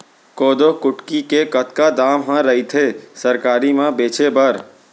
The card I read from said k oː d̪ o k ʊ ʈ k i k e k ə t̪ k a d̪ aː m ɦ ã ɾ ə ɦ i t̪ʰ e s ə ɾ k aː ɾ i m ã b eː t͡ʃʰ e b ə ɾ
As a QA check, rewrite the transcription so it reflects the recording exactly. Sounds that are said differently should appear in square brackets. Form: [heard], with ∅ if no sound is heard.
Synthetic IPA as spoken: k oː d̪ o k ʊ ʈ k i k e k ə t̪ k a d̪ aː m ɦ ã ɾ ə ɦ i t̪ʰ e s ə ɾ k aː ɾ i m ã b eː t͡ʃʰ e b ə ɾ